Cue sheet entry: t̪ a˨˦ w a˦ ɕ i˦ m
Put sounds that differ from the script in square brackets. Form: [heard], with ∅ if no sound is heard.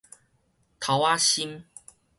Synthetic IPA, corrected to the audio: [t̪ʰ] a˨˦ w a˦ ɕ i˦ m